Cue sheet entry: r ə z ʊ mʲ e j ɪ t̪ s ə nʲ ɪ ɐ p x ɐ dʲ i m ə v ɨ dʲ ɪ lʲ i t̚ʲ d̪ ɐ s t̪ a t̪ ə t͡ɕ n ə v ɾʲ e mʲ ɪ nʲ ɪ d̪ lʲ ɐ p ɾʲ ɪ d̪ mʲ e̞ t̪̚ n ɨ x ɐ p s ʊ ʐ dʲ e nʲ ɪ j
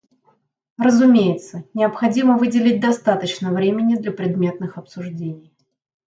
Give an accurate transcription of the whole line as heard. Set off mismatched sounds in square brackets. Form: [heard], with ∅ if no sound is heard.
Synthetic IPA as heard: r ə z ʊ mʲ e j ɪ t̪ s ə nʲ ɪ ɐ p x ɐ dʲ i m ə v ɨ dʲ ɪ lʲ [ɪ] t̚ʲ d̪ ɐ s t̪ a t̪ ə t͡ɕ n ə v ɾʲ e mʲ ɪ nʲ ɪ d̪ lʲ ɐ p ɾʲ ɪ d̪ mʲ e̞ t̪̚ n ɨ x ɐ p s ʊ ʐ dʲ e nʲ ɪ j